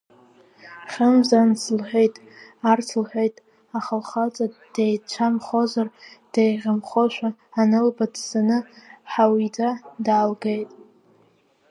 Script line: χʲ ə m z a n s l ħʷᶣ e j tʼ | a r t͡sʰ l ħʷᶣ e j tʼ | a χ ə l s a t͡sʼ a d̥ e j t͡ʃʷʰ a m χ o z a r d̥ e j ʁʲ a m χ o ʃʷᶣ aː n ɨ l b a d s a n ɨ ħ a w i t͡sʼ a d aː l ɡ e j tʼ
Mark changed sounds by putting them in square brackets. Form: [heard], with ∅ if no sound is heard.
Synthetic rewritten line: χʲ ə m z a n s l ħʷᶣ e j tʼ | a r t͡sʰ l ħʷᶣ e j tʼ | a χ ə l [χ] a t͡sʼ a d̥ e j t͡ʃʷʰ a m χ o z a r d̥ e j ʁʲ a m χ o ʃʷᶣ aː n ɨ l b a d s a n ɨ ħ a w i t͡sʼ a d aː l ɡ e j tʼ